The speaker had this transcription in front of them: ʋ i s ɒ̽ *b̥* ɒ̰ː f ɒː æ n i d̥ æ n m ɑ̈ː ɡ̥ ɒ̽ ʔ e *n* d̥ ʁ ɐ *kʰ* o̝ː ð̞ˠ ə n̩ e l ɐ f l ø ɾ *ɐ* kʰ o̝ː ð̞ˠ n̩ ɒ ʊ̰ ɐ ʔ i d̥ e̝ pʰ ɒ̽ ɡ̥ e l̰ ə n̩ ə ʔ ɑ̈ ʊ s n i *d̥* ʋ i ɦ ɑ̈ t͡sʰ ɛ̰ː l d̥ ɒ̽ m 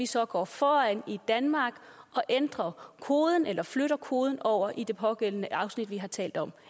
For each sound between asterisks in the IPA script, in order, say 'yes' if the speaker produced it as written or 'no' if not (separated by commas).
no, yes, yes, yes, yes